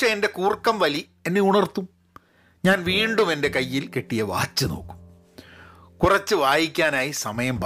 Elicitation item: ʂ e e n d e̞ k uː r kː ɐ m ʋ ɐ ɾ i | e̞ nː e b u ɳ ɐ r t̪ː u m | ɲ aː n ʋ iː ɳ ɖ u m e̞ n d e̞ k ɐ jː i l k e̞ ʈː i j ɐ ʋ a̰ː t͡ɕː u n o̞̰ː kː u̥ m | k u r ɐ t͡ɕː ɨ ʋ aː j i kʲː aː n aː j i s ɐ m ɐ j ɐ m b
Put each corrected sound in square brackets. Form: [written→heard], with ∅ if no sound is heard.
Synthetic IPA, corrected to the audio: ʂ e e n d e̞ k uː r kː ɐ m ʋ ɐ [ɾ→l] i | e̞ nː e [b→∅] u ɳ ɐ r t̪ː u m | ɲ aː n ʋ iː ɳ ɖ u m e̞ n d e̞ k ɐ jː i l k e̞ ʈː i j ɐ ʋ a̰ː t͡ɕː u n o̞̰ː kː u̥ m | k u r ɐ t͡ɕː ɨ ʋ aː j i kʲː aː n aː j i s ɐ m ɐ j ɐ m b